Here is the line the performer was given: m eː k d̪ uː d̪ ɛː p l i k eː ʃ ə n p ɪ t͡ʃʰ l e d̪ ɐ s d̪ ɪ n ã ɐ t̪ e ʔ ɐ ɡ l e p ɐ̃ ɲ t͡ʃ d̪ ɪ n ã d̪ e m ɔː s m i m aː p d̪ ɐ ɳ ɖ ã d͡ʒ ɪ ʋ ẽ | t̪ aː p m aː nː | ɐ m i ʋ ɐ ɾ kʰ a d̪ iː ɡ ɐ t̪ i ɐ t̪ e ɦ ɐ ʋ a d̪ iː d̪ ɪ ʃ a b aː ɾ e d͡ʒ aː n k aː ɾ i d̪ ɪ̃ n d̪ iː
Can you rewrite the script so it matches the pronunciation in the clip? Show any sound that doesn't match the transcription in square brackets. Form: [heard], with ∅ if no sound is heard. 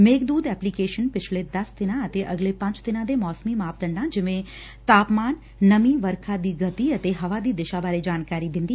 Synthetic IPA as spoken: m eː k d̪ uː d̪ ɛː p l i k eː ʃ ə n p ɪ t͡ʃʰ l e d̪ ɐ s d̪ ɪ n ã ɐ t̪ e ʔ ɐ ɡ l e p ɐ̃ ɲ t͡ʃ d̪ ɪ n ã d̪ e m ɔː s m i m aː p d̪ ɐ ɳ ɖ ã d͡ʒ ɪ ʋ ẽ | t̪ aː p m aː nː | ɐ m i ʋ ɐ ɾ kʰ a d̪ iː ɡ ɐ t̪ i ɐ t̪ e ɦ ɐ ʋ a d̪ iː d̪ ɪ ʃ a b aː ɾ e d͡ʒ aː n k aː ɾ i d̪ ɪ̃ n d̪ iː